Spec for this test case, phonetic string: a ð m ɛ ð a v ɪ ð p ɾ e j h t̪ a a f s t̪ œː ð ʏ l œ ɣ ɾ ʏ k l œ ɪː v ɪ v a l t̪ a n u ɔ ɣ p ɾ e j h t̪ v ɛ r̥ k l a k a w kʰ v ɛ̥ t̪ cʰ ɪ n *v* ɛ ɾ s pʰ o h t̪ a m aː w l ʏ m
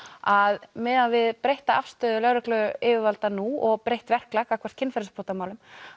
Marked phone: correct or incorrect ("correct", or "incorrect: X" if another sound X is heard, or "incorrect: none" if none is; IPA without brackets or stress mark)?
incorrect: f